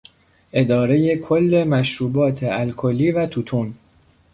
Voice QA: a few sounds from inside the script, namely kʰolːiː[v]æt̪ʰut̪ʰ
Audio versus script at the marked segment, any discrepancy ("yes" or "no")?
no